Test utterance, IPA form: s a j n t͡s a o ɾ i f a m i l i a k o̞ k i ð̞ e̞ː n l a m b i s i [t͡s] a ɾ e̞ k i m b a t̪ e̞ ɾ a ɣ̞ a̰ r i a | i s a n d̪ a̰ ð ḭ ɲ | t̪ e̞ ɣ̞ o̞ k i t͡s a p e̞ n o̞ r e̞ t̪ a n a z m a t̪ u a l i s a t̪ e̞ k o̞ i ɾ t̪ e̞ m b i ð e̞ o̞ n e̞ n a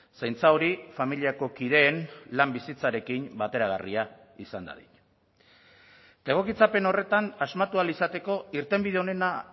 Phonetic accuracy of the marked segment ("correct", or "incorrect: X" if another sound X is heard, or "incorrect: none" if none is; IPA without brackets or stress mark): correct